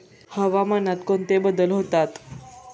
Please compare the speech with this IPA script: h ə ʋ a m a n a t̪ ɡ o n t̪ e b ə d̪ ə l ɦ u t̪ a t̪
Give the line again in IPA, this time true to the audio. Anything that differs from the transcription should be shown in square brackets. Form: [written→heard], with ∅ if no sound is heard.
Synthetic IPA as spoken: h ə ʋ a m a n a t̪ [ɡ→k] o n t̪ e b ə d̪ ə l ɦ [u→o] t̪ a t̪